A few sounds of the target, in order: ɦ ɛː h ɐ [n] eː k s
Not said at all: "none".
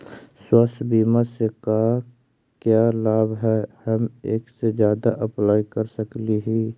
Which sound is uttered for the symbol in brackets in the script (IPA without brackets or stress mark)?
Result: m